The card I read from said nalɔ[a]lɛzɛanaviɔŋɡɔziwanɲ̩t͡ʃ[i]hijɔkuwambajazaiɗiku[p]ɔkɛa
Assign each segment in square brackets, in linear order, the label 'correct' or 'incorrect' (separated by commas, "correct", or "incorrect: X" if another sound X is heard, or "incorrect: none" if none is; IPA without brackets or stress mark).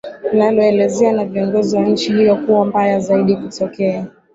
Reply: incorrect: ɛ, correct, incorrect: t